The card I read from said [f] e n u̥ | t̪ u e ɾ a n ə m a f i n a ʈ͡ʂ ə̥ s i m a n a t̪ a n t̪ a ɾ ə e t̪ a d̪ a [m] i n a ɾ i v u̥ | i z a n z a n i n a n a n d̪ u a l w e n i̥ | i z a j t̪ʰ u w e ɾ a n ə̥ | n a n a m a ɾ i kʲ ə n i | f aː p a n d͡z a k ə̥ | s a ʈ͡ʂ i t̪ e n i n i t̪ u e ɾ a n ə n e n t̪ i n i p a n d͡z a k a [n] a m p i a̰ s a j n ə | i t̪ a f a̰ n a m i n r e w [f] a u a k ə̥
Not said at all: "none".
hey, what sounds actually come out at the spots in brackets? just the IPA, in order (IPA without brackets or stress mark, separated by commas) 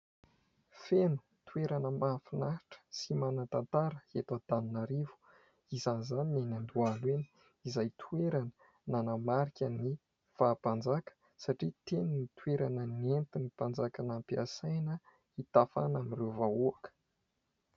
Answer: f, n, n, v